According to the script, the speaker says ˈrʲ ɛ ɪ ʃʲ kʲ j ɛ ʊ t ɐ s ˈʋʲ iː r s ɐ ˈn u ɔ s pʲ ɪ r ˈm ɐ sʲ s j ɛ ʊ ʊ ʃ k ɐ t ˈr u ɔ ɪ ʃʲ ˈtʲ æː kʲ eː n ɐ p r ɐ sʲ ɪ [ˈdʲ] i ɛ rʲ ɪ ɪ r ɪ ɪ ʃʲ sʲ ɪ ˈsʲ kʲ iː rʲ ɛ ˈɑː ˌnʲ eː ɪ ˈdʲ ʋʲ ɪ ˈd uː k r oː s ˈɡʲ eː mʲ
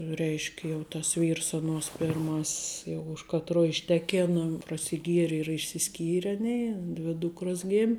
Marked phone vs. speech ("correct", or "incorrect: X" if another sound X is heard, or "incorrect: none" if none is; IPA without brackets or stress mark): incorrect: ɡʲ